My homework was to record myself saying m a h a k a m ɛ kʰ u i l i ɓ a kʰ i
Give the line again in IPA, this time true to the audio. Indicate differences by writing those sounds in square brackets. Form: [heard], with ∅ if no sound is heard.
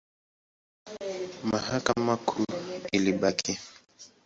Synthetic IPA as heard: m a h a k a m [a] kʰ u i l i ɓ a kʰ i

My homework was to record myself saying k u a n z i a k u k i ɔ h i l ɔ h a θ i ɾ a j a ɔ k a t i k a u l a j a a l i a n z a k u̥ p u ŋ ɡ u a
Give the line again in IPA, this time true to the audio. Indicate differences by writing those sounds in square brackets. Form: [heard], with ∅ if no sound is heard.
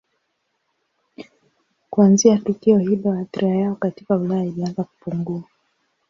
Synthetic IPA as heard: k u a n z i a [t] u k i ɔ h i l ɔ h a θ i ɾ a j a ɔ k a t i k a u l a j a [i] l i a n z a k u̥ p u ŋ ɡ u a

